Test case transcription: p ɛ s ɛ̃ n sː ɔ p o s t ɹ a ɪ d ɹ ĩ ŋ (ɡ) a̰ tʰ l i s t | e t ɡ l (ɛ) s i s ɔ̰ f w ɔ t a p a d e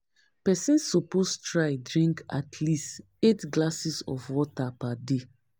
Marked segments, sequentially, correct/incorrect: incorrect: k, incorrect: a

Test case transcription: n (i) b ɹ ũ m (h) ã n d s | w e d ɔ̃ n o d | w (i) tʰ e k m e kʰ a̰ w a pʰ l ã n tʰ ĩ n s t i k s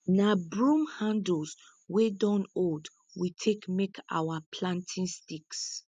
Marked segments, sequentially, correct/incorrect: incorrect: a, correct, correct

